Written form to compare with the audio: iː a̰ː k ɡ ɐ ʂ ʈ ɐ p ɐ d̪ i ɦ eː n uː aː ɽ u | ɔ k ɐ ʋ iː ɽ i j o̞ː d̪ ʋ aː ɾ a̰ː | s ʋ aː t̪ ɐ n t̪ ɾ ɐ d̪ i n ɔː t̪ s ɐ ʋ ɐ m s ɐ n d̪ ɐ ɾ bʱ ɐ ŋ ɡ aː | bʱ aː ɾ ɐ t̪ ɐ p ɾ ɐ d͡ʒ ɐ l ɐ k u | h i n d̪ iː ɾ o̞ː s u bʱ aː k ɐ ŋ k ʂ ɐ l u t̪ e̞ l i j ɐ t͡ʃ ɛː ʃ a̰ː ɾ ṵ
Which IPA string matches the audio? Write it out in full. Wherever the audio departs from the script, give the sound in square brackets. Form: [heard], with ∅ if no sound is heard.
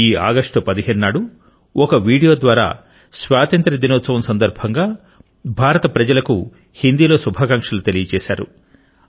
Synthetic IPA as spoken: iː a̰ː [∅] ɡ ɐ ʂ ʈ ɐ p ɐ d̪ i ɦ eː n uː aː ɽ u | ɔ k ɐ ʋ iː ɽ i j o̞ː d̪ ʋ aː ɾ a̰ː | s ʋ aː t̪ ɐ n t̪ ɾ ɐ d̪ i n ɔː t̪ s ɐ ʋ ɐ m s ɐ n d̪ ɐ ɾ bʱ ɐ ŋ ɡ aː | bʱ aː ɾ ɐ t̪ ɐ p ɾ ɐ d͡ʒ ɐ l ɐ k u | h i n d̪ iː [l] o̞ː s u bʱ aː k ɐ ŋ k ʂ ɐ l u t̪ e̞ l i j ɐ t͡ʃ ɛː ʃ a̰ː ɾ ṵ